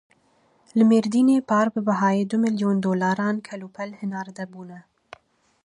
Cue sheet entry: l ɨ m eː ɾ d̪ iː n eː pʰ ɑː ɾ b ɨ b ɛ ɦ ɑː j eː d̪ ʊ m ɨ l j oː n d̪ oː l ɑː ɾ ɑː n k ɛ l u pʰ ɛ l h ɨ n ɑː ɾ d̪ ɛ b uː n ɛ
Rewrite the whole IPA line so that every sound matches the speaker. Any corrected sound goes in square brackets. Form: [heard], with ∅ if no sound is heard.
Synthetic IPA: l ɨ m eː ɾ d̪ iː n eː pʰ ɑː ɾ b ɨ b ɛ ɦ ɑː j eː d̪ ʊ m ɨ l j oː n d̪ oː l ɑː ɾ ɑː n [kʰ] ɛ l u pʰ ɛ l h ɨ n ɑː ɾ d̪ ɛ b uː n ɛ

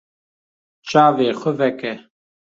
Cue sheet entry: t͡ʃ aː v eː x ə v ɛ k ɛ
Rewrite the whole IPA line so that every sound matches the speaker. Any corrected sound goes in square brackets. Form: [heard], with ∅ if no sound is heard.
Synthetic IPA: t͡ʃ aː v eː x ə v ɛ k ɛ

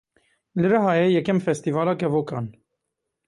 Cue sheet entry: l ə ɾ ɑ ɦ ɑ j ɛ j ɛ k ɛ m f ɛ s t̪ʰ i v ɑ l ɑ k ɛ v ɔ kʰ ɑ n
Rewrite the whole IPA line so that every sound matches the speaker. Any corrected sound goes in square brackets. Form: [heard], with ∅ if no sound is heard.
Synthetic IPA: l ə ɾ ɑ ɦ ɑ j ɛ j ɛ k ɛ m f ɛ s [t̪] i v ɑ l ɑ k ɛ v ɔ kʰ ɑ n

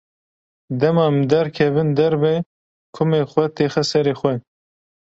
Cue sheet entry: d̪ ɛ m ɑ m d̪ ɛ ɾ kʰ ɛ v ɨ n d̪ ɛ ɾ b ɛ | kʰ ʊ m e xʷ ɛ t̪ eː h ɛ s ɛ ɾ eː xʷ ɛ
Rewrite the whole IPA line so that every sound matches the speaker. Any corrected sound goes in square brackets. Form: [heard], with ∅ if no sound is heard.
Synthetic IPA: d̪ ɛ m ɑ m d̪ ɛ ɾ kʰ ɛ v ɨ n d̪ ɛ ɾ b ɛ | kʰ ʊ m e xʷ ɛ t̪ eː [x] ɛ s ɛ ɾ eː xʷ ɛ

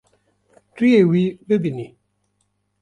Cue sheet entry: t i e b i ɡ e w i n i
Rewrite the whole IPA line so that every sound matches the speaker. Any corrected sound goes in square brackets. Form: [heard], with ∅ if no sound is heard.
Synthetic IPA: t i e [w] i [b] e [b] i n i

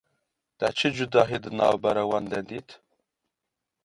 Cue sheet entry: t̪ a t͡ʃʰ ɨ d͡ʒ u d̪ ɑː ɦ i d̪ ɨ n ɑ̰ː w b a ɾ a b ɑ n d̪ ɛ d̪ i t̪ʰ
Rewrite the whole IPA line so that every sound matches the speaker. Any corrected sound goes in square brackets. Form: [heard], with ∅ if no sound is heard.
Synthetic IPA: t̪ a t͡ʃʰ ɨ d͡ʒ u d̪ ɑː ɦ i d̪ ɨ n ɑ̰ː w b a ɾ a [w] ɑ n d̪ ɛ d̪ i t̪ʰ

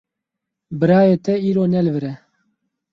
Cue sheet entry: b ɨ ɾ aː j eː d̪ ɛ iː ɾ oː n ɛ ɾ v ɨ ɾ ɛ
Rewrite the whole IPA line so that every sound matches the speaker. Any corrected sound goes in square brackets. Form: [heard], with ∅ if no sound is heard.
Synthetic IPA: b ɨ ɾ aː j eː [t̪] ɛ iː ɾ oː n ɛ [l] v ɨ ɾ ɛ

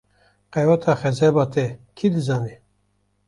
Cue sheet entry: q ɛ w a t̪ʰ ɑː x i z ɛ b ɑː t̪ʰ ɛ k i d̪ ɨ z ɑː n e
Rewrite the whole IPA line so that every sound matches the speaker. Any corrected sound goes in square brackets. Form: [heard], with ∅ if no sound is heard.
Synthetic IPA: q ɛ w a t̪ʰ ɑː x [ɛ] z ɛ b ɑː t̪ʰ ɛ [kʰ] i d̪ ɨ z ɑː n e

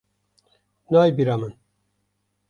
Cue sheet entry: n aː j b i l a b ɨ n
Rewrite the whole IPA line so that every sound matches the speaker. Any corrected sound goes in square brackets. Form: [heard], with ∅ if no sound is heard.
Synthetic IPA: n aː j b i [ɾ] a [m] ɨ n

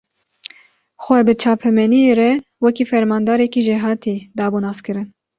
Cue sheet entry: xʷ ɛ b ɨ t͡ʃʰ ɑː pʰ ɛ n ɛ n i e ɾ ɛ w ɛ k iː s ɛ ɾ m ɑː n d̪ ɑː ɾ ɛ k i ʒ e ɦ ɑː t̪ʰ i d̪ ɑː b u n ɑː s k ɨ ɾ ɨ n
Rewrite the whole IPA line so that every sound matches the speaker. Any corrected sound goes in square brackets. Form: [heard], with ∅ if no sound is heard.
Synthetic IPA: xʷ ɛ b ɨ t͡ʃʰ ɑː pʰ ɛ [m] ɛ n i e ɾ ɛ w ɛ k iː [f] ɛ ɾ m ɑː n d̪ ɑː ɾ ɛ k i ʒ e ɦ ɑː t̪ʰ i d̪ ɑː b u n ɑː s k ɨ ɾ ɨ n

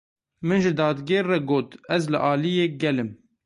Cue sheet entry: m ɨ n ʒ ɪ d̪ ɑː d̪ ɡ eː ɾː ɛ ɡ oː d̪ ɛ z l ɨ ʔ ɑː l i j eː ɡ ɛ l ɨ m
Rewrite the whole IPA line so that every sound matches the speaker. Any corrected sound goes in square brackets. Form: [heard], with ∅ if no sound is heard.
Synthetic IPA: m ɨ n ʒ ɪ d̪ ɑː d̪ ɡ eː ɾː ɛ ɡ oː [t̪] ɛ z l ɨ ʔ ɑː l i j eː ɡ ɛ l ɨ m

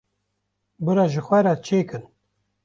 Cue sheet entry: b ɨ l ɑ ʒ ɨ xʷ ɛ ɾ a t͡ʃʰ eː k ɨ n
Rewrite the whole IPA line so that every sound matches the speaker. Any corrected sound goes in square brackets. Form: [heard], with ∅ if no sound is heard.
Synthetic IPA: b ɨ [ɾ] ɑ ʒ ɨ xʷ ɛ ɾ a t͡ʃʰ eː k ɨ n

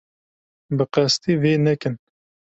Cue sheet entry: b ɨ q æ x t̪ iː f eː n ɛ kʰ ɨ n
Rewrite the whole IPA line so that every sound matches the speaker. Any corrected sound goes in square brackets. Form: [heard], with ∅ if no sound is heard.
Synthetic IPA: b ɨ q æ [s] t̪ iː [v] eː n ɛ [k] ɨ n

